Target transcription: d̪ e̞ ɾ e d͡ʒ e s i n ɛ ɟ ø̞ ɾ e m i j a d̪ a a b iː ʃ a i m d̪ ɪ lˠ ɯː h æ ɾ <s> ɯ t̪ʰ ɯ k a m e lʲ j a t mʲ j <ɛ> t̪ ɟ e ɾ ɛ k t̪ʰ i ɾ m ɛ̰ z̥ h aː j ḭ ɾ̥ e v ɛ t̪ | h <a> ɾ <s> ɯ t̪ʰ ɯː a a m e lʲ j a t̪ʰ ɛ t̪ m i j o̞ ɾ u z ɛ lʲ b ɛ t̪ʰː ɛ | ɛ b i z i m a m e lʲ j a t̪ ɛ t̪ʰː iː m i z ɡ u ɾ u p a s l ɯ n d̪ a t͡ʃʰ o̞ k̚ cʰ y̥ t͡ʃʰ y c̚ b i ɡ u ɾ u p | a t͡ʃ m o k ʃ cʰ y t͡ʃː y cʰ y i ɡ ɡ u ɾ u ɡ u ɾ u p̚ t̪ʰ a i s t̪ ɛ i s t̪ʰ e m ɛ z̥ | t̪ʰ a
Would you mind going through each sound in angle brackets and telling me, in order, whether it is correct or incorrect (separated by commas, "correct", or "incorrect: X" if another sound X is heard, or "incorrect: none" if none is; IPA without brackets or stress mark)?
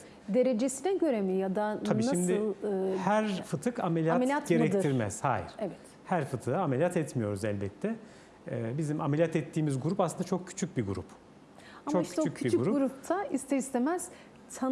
incorrect: f, incorrect: a, incorrect: æ, incorrect: f